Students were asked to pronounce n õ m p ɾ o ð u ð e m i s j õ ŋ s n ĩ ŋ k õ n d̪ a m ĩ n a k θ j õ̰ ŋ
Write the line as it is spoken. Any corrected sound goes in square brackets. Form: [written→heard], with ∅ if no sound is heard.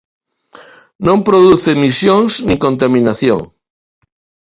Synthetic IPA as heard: n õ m p ɾ o ð u [ð→θ] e m i s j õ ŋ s n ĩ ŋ k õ n [d̪→t̪] a m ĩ n a [k→∅] θ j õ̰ ŋ

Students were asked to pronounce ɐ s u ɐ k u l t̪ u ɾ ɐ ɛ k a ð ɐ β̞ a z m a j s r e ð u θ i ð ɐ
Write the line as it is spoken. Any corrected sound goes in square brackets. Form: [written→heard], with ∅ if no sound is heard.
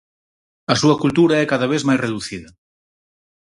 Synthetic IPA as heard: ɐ s u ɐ k u l t̪ u ɾ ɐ ɛ k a ð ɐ β̞ [a→e] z m a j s r e ð u θ i ð ɐ

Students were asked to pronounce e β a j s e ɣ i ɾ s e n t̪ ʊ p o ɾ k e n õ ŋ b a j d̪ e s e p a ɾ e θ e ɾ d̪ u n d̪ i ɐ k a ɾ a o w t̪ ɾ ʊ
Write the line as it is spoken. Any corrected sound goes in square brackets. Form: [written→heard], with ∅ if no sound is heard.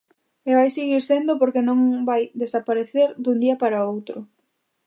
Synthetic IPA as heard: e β a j s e ɣ i ɾ s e n [t̪→d̪] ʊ p o ɾ k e n õ ŋ b a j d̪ e s [e→a] p a ɾ e θ e ɾ d̪ u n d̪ i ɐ [k→p] a ɾ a o w t̪ ɾ ʊ

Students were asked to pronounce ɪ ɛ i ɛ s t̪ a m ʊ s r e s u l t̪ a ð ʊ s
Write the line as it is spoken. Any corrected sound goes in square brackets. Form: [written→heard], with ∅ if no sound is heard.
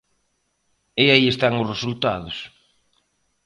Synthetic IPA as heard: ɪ [ɛ→a] i [ɛ→e] s t̪ a [m→ŋ] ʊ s r e s u l t̪ a ð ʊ s

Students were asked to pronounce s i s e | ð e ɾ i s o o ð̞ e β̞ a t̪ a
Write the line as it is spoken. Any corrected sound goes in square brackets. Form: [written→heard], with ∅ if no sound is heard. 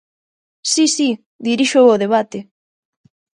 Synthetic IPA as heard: s i s [e→i] | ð [e→i] ɾ i [s→ʃ] o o ð̞ e β̞ a t̪ [a→e]

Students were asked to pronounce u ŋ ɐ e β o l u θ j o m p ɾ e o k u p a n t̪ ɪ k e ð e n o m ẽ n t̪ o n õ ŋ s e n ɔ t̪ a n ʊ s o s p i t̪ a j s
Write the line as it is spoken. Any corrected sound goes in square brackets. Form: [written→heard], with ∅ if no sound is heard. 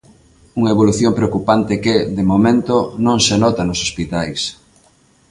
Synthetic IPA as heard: u ŋ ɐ e β o l u θ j o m p ɾ e o k u p a n t̪ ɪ k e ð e [n→m] o m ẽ n t̪ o n õ ŋ s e n ɔ t̪ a n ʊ s o s p i t̪ a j s

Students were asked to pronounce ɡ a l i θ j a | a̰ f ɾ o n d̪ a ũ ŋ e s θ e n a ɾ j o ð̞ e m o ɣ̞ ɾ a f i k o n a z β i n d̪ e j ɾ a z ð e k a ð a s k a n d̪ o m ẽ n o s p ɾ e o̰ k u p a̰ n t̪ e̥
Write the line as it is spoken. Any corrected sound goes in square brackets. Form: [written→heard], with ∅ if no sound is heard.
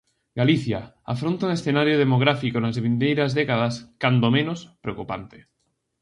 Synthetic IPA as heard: ɡ a l i θ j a | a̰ f ɾ o n [d̪→t̪] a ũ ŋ e s θ e n a ɾ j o ð̞ e m o ɣ̞ ɾ a f i k o n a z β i n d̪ e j ɾ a z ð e k a ð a s k a n d̪ o m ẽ n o s p ɾ e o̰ k u p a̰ n t̪ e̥

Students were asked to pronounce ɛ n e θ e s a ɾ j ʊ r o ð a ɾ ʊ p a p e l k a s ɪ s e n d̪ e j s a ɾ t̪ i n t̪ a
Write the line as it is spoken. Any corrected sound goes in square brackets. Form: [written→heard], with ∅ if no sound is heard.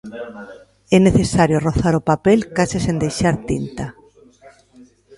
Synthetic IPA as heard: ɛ n e θ e s a ɾ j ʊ r o [ð→θ] a ɾ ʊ p a p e l k a s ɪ s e n d̪ e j [s→ʃ] a ɾ t̪ i n t̪ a

